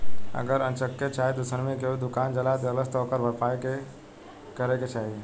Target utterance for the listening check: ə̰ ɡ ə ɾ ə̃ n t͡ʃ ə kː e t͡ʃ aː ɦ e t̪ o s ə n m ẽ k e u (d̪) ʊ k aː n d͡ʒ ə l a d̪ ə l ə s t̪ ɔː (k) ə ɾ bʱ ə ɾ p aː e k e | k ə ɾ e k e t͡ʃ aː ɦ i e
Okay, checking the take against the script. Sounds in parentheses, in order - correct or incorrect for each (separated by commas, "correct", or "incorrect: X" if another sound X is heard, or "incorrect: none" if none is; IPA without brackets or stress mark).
correct, correct